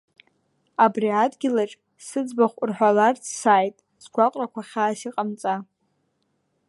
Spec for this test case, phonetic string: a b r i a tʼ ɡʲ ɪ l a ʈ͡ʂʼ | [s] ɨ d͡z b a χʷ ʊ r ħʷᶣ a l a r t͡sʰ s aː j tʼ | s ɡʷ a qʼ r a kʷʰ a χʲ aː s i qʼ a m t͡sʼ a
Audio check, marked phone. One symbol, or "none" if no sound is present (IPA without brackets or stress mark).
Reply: s